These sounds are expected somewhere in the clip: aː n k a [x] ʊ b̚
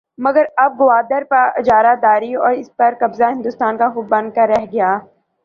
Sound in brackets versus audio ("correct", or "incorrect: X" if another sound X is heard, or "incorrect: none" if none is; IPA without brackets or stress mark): correct